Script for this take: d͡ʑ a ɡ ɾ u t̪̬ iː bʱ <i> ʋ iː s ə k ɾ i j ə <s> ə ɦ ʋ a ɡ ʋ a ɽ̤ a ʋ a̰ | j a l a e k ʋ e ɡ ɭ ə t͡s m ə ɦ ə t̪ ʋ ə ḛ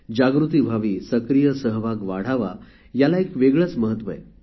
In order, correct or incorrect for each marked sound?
incorrect: a, correct

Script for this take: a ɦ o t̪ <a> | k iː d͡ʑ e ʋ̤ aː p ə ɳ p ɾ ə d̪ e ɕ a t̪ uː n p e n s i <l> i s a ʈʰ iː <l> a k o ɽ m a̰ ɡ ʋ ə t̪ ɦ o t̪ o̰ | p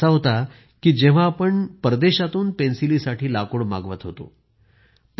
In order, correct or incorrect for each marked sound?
correct, correct, correct

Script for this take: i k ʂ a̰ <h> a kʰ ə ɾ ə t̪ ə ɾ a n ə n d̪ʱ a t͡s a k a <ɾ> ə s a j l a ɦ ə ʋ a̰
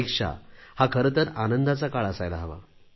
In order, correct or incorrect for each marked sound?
correct, incorrect: ɭ

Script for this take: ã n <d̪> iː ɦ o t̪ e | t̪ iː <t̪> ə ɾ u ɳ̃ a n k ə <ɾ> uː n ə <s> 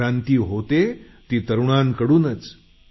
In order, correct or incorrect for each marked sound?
incorrect: t̪, correct, incorrect: ɽ, incorrect: t͡s

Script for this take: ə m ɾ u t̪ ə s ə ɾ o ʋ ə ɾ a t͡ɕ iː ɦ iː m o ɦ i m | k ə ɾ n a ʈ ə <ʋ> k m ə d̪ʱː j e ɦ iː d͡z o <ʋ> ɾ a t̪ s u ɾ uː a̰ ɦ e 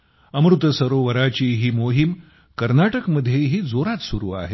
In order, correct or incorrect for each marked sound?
incorrect: none, incorrect: none

